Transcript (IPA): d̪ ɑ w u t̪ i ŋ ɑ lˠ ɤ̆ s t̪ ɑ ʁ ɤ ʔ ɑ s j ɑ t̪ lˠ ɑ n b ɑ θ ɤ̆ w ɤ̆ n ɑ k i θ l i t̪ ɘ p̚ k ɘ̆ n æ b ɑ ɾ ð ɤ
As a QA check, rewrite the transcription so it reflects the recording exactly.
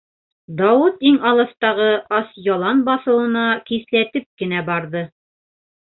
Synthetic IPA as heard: d̪ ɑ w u t̪ i ŋ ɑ lˠ ɤ̆ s t̪ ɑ ʁ ɤ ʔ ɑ s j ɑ lˠ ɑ n b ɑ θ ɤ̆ w ɤ̆ n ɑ k i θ l æ t̪ ɘ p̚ k ɘ̆ n æ b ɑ ɾ ð ɤ